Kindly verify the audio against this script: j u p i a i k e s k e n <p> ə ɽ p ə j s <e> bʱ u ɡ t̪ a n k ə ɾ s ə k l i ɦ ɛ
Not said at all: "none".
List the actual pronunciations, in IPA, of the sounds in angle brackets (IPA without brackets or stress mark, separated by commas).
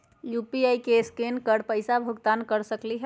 k, a